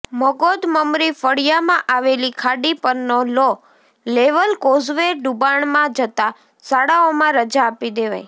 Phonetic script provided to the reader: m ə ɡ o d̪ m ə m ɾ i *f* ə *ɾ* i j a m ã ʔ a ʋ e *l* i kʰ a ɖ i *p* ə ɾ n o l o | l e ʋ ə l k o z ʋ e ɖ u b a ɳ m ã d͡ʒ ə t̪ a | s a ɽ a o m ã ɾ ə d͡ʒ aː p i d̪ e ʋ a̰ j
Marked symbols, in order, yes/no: yes, no, yes, yes

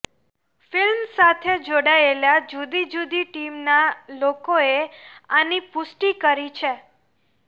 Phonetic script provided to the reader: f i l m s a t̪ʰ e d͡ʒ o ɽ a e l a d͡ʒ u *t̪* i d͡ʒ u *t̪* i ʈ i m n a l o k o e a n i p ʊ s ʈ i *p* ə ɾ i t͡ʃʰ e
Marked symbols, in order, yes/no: no, no, no

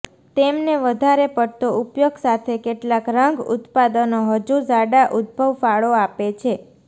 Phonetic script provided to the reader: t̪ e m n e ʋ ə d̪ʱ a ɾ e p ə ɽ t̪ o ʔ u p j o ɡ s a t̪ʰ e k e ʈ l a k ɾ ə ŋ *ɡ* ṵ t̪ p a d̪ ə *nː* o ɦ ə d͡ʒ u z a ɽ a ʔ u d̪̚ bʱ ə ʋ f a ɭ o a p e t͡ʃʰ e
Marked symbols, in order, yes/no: yes, no

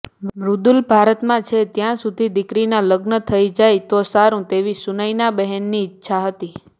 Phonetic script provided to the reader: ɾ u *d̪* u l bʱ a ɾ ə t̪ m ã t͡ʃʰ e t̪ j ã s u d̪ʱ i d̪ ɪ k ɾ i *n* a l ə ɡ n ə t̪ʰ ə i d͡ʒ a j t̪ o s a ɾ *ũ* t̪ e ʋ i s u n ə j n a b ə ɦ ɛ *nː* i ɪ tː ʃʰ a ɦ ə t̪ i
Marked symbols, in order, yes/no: yes, yes, yes, yes

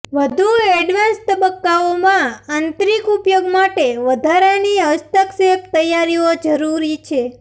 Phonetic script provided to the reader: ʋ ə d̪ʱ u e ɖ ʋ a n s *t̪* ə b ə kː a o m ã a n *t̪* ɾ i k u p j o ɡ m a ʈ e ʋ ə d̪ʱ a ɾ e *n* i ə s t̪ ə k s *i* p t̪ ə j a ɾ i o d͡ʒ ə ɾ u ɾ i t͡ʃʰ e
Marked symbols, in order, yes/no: yes, yes, yes, no

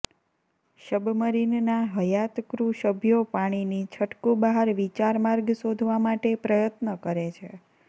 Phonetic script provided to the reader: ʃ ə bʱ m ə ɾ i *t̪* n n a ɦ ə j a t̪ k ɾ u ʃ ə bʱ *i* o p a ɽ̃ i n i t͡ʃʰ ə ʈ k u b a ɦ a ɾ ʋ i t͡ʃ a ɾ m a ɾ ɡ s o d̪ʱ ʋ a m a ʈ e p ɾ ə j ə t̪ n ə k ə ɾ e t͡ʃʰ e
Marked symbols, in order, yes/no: no, no

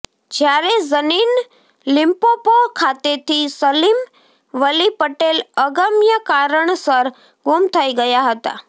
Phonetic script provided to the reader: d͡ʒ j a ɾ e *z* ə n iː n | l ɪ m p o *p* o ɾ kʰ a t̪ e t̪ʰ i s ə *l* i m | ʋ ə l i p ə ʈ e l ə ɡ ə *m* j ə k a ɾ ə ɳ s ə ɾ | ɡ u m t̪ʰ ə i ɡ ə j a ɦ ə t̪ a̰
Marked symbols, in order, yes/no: yes, yes, yes, yes

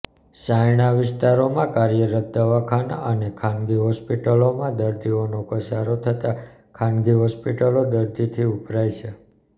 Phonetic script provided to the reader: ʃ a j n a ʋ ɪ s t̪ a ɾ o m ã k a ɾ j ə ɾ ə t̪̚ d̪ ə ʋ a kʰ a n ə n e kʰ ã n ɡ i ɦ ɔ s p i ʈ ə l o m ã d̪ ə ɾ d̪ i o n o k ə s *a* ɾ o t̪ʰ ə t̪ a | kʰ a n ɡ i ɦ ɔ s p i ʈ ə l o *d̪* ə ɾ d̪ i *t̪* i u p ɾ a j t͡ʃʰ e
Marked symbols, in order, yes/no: yes, yes, no

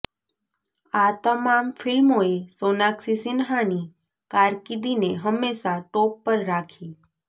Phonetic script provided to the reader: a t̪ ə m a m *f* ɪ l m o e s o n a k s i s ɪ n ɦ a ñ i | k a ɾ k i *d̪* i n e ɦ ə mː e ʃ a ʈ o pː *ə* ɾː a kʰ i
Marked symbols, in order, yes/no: yes, yes, yes

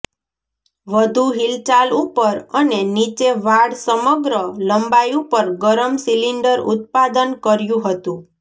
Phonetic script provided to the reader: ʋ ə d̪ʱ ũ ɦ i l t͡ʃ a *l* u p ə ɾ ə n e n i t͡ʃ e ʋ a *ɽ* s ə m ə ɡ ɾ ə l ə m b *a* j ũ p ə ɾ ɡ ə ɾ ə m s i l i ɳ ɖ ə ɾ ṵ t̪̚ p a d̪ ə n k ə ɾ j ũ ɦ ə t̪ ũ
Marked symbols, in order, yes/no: yes, yes, yes

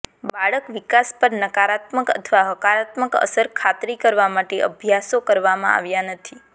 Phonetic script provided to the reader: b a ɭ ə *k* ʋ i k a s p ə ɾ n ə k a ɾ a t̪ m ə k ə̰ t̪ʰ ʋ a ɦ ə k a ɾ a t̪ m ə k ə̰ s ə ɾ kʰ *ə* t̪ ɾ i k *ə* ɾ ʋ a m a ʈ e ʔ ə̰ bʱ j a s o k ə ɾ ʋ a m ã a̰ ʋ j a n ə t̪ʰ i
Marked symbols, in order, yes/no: yes, no, yes

